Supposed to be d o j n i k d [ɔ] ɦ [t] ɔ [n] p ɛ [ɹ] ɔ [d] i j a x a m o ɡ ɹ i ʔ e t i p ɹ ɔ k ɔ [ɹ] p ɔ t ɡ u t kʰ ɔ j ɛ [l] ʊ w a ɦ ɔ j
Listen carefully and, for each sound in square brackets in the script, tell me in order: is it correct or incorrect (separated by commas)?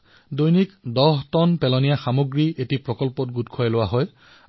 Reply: correct, correct, correct, incorrect, incorrect, incorrect, correct